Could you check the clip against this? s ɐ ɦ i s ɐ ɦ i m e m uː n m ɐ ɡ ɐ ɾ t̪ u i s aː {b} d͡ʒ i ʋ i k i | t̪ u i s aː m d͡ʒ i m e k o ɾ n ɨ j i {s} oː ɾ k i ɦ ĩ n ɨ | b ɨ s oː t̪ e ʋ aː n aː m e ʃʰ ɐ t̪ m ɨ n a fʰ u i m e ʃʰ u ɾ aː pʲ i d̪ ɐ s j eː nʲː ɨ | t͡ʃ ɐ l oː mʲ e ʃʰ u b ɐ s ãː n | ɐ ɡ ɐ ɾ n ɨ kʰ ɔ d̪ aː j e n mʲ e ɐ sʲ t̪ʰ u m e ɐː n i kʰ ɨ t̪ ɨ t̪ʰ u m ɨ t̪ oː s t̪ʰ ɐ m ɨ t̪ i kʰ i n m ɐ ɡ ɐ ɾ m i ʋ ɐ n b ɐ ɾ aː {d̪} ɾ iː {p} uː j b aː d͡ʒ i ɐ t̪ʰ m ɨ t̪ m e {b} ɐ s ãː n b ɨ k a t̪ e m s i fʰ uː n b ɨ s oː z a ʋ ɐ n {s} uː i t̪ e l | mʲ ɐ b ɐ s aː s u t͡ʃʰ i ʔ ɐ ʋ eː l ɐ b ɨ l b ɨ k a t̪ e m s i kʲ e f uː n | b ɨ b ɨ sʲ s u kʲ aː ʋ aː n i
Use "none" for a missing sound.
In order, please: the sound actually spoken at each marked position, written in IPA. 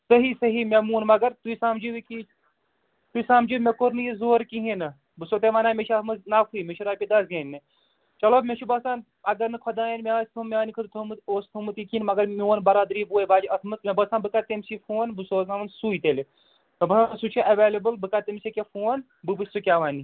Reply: m, z, d̪, b, b, s

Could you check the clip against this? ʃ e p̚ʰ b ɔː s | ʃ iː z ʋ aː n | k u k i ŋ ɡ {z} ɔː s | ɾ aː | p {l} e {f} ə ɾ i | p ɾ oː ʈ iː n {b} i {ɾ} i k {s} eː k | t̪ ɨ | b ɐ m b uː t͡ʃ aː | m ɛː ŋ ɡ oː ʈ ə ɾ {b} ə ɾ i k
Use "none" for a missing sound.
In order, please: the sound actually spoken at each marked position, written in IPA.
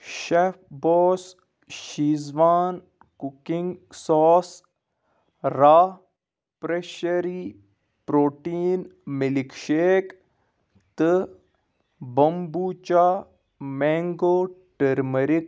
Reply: s, ɾ, ʃ, m, l, ʃ, m

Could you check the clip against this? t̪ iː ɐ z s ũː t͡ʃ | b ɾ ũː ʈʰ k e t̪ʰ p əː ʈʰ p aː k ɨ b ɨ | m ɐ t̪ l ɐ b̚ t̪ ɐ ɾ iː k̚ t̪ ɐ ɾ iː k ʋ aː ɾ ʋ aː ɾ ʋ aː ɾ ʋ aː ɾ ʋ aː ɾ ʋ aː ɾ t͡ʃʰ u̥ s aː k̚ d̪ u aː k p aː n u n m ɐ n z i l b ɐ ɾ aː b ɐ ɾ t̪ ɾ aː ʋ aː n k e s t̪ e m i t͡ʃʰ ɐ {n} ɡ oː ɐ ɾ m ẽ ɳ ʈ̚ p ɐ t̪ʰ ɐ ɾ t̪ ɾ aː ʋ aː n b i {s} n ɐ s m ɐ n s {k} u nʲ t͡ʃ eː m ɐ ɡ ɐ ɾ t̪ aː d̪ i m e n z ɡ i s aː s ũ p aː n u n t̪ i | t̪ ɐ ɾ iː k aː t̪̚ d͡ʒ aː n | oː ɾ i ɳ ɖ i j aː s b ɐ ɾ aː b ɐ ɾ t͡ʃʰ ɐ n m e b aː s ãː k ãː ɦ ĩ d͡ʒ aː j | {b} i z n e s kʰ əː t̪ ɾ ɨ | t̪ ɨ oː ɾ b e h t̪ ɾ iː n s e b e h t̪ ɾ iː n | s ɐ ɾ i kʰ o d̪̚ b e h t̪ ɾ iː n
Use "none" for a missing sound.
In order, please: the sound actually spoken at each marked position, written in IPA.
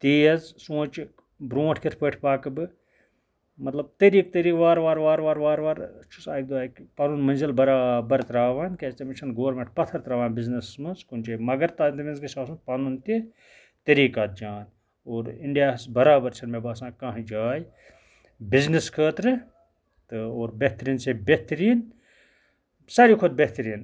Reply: n, z, k, b

